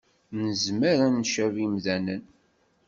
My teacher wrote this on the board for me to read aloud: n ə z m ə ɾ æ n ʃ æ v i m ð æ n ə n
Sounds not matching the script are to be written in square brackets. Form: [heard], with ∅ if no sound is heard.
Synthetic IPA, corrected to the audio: n ə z m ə ɾ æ n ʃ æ v i m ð æ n ə n